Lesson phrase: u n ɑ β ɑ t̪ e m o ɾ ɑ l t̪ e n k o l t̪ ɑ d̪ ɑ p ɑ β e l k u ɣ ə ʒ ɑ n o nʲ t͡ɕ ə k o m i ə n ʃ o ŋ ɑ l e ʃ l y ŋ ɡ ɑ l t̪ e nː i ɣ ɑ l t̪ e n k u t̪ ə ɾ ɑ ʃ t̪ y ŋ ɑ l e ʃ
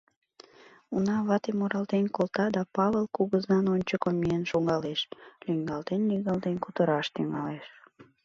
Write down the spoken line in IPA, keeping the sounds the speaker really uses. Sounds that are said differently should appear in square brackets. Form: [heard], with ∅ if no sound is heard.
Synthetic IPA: u n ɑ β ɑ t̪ e m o ɾ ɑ l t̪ e n k o l t̪ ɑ d̪ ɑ p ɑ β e l k u ɣ ə [z] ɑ n o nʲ t͡ɕ ə k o m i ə n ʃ o ŋ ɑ l e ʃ l y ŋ ɡ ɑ l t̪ e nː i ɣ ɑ l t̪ e n k u t̪ ə ɾ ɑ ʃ t̪ y ŋ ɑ l e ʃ